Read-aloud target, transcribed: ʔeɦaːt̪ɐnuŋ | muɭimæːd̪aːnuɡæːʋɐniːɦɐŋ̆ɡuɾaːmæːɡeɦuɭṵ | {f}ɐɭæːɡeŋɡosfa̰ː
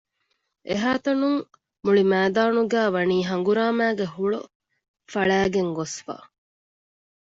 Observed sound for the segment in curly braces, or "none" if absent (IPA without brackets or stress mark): f